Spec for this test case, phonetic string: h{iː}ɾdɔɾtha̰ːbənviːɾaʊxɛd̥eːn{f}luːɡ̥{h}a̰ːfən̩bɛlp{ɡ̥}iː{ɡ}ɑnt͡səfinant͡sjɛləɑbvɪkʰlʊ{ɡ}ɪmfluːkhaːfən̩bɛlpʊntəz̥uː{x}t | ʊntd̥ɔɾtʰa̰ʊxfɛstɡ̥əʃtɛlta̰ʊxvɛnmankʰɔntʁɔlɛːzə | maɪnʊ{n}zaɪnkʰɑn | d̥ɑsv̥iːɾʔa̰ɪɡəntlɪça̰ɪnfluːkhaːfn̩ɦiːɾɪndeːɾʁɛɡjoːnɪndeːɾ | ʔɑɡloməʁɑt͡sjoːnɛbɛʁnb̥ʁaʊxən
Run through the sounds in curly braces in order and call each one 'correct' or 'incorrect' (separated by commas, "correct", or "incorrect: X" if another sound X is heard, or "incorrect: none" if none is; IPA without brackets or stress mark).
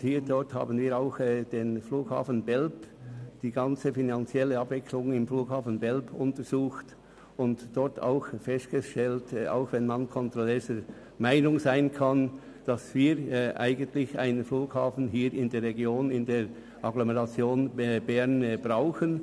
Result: correct, correct, correct, incorrect: d̥, correct, incorrect: ŋ, correct, incorrect: ŋ